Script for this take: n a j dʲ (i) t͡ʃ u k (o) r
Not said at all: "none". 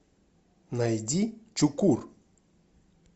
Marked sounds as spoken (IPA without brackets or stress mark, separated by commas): i, u